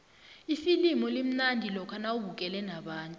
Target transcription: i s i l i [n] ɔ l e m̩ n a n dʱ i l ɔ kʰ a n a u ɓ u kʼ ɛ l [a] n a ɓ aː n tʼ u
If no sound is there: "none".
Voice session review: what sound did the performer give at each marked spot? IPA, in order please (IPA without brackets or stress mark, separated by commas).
m, ɛ